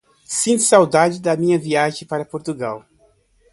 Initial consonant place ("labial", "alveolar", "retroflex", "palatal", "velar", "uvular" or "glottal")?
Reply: alveolar